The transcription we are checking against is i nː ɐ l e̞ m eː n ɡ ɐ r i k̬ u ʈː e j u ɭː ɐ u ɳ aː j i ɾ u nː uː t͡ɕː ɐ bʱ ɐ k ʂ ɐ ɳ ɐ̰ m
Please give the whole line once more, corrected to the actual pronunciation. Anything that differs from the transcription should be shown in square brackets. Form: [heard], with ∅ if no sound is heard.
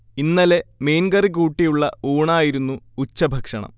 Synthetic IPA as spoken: i nː ɐ l e̞ m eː n ɡ ɐ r i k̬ [uː] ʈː [i] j u ɭː ɐ [uː] ɳ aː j i ɾ u nː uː t͡ɕː ɐ bʱ ɐ k ʂ ɐ ɳ ɐ̰ m